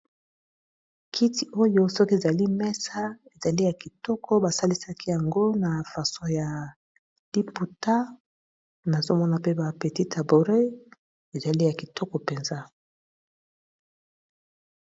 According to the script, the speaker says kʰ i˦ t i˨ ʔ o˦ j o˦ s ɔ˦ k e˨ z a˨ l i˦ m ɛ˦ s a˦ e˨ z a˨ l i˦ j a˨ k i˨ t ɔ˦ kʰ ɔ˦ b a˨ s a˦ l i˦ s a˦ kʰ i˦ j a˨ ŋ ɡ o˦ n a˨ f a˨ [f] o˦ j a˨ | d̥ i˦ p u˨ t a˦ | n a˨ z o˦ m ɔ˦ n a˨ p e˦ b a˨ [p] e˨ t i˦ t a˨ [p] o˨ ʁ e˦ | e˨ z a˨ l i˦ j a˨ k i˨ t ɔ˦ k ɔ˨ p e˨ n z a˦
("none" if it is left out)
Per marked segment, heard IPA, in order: s, p, b

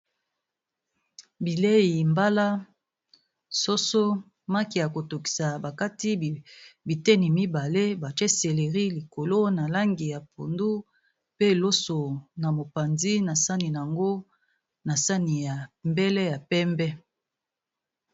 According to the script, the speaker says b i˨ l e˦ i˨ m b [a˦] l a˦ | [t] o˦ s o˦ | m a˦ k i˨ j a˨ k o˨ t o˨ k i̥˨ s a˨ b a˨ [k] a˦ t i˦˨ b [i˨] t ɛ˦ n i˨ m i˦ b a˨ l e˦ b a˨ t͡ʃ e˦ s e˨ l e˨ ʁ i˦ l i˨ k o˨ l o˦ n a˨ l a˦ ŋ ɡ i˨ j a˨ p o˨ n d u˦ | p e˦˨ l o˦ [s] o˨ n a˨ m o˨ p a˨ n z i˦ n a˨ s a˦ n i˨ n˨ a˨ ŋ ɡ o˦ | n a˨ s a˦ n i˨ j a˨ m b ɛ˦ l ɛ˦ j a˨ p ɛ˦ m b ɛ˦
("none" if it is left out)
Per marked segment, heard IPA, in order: a˦, s, k, i˨, s

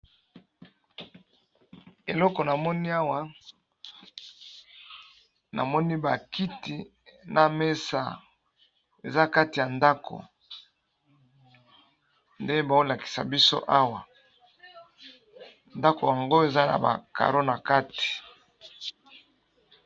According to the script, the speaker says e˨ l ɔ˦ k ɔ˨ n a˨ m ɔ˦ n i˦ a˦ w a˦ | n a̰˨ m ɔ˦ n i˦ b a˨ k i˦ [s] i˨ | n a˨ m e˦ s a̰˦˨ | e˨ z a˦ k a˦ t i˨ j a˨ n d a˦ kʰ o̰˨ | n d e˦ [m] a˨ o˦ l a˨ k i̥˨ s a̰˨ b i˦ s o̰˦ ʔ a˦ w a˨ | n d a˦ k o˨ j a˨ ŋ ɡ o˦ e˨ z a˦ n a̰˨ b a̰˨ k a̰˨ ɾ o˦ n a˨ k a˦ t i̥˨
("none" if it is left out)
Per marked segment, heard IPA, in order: t, b

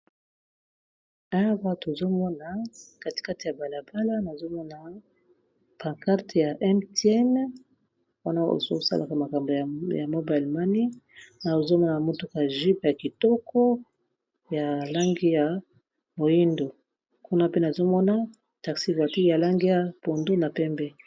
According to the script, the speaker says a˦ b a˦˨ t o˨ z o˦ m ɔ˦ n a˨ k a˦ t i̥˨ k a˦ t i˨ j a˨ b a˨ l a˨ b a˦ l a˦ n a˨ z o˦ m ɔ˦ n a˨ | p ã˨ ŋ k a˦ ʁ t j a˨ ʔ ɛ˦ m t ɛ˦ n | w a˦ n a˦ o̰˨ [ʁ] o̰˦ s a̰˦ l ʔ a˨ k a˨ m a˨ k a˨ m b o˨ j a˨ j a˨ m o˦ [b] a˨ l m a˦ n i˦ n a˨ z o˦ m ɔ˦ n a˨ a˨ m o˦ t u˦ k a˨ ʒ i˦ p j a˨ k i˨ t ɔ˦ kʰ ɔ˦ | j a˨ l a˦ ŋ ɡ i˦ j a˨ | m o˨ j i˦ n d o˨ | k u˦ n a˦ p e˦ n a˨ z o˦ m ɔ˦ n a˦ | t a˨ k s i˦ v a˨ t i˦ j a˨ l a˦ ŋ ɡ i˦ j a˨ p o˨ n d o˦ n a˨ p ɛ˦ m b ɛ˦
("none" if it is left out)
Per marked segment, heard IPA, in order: z, b

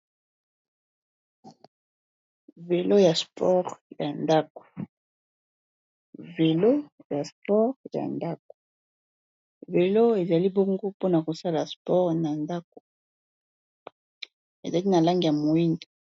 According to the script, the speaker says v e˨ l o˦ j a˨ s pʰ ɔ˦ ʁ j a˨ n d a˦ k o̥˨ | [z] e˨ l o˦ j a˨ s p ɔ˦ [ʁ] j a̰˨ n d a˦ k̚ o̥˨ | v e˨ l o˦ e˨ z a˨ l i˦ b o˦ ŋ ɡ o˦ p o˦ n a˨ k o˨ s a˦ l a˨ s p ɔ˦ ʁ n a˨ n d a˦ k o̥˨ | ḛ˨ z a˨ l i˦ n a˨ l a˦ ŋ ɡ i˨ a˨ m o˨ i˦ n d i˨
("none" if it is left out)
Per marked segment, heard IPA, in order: v, ʁ

